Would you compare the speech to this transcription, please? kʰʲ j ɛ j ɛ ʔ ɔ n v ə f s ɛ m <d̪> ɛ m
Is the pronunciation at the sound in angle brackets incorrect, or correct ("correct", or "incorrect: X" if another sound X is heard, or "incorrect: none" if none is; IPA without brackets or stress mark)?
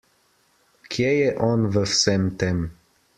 incorrect: t̪